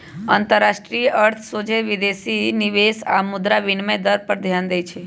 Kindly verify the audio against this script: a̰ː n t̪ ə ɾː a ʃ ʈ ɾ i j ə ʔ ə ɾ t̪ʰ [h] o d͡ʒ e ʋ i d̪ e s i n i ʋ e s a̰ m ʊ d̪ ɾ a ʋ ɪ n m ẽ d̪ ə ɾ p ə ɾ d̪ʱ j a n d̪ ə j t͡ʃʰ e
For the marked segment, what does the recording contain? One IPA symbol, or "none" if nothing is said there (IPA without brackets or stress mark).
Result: s